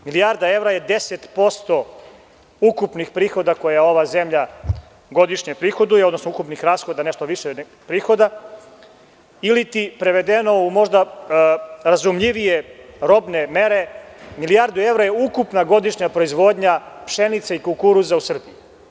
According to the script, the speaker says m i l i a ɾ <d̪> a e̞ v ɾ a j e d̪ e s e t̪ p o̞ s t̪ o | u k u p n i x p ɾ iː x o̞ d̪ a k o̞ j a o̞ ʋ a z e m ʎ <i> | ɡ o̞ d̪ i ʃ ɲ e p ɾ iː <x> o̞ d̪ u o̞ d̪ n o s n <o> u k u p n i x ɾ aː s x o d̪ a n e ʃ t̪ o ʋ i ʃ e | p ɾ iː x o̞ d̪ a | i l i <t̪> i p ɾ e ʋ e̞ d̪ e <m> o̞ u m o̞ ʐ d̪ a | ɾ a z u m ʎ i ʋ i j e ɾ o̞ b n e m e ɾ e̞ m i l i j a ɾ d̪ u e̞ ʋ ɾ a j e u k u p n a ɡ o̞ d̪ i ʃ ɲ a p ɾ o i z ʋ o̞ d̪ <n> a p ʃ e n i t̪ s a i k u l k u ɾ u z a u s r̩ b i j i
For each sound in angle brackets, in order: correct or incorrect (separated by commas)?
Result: correct, incorrect, correct, correct, correct, incorrect, incorrect